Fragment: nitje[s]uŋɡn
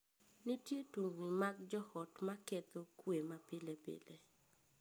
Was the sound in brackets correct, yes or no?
no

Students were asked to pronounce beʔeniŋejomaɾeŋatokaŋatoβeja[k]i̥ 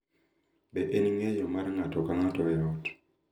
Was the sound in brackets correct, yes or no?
no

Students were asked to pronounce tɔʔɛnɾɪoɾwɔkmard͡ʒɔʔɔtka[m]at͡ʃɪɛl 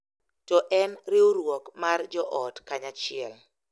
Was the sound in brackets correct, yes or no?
no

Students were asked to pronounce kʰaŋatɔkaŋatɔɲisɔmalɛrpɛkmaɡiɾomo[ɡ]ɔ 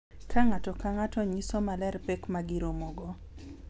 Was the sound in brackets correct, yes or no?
yes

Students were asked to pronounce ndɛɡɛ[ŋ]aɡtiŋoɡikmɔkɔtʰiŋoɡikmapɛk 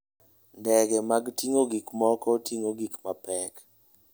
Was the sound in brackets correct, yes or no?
no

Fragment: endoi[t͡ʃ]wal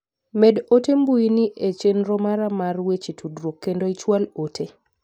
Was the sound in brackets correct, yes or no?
yes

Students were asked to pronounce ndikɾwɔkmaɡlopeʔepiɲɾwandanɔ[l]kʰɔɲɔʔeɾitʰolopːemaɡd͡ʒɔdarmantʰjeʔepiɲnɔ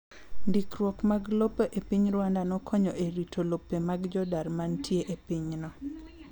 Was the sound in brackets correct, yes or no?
no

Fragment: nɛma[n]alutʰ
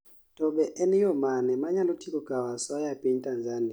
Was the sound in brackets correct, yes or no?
no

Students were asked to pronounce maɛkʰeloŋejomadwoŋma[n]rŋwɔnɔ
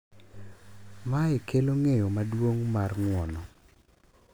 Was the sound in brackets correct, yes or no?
no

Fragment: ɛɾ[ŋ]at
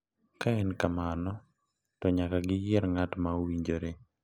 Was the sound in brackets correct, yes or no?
yes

